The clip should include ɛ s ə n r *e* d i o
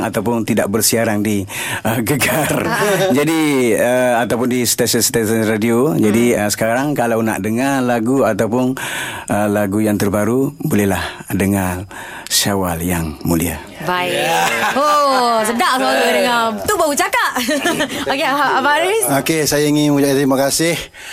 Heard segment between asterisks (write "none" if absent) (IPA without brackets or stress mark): a